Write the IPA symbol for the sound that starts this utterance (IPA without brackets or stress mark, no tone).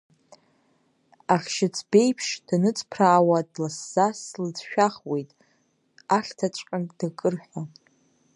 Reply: a